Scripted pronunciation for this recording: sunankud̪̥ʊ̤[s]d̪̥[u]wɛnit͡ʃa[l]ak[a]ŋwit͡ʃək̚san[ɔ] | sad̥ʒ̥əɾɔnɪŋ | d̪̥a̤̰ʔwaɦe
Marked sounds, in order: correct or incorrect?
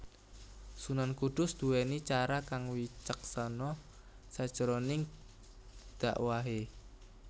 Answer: correct, correct, incorrect: ɾ, correct, correct

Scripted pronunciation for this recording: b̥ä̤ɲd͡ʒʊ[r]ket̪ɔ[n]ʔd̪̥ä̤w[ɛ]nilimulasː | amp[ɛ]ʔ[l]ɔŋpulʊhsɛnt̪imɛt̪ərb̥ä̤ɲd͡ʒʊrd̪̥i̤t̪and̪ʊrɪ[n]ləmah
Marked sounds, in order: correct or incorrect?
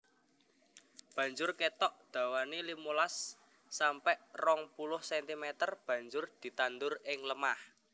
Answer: correct, incorrect: none, incorrect: a, correct, incorrect: r, incorrect: ŋ

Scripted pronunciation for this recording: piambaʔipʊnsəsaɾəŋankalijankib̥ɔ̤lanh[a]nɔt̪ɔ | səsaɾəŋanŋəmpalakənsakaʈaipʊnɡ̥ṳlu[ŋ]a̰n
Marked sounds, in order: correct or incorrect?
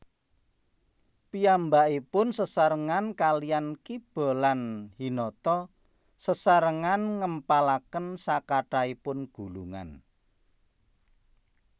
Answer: incorrect: i, correct

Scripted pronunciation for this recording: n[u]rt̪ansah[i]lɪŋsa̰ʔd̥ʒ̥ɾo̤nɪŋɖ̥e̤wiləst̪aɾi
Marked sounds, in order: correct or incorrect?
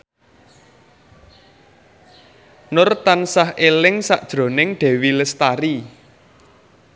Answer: incorrect: ʊ, incorrect: e

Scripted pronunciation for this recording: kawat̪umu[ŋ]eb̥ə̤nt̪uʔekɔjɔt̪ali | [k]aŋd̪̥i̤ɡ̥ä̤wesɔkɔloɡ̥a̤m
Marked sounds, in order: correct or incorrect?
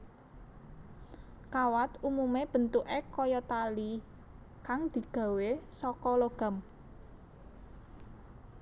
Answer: incorrect: m, correct

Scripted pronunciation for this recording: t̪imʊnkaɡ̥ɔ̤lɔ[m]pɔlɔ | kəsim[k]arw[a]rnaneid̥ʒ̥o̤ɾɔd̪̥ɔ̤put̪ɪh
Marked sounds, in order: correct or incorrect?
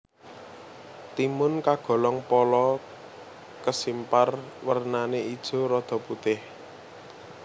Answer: incorrect: ŋ, incorrect: p, incorrect: ə

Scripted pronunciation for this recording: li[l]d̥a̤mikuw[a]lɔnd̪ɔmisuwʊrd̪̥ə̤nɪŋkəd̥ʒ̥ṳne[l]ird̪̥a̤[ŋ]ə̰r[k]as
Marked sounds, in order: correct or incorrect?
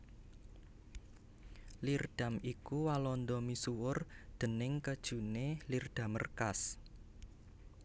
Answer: incorrect: r, correct, correct, incorrect: m, correct

